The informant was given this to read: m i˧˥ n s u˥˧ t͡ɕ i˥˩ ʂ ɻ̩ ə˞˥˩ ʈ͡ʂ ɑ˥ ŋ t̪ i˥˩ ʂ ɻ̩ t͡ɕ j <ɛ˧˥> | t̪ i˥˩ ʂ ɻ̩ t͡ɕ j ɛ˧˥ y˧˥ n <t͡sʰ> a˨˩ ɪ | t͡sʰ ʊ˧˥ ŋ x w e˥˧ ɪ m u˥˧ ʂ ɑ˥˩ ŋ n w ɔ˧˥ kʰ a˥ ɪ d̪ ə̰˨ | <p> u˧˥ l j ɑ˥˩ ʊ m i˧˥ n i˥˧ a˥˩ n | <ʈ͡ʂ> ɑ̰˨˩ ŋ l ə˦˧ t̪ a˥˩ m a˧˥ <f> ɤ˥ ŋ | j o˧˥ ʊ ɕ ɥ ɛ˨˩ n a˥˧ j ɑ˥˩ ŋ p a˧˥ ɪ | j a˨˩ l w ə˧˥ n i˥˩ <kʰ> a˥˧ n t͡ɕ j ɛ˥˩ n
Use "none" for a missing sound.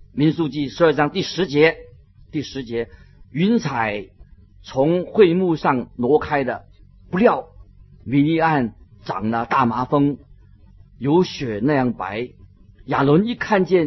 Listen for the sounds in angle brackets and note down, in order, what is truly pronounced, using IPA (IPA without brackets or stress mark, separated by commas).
ɛ˧˥, t͡sʰ, p, ʈ͡ʂ, f, kʰ